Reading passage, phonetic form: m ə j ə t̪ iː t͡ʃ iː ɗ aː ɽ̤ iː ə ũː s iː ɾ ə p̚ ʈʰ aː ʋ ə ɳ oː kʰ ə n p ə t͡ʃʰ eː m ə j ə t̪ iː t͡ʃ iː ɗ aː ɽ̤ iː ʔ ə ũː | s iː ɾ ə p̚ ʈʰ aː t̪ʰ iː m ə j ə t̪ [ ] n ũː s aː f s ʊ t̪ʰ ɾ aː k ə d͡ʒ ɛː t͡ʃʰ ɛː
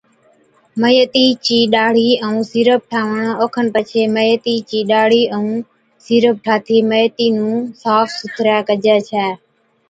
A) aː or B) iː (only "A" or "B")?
B